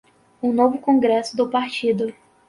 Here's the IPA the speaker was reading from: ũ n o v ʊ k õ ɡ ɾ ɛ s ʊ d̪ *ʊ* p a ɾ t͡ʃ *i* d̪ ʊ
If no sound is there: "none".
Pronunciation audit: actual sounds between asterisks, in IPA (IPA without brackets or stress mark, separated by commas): ʊ, i